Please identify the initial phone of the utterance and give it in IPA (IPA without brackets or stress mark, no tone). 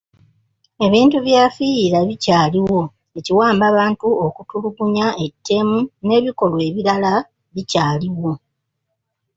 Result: e̞